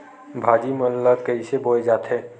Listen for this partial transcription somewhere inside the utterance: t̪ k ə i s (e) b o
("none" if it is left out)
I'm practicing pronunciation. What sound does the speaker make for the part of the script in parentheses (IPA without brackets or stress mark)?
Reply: e